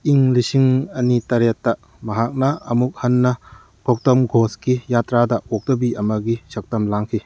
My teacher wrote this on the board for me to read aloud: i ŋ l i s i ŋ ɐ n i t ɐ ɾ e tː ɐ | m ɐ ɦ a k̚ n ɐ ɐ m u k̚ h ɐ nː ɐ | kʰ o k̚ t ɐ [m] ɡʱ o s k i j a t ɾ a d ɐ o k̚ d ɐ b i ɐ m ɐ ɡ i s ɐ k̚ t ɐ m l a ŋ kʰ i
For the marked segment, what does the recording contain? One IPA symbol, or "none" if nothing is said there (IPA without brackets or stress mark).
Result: m